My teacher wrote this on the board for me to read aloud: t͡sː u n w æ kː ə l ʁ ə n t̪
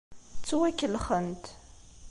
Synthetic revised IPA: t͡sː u w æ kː ə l χ ə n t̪